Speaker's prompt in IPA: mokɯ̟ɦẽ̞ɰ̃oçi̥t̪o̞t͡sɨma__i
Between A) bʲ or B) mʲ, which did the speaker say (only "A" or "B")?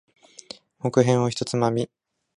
B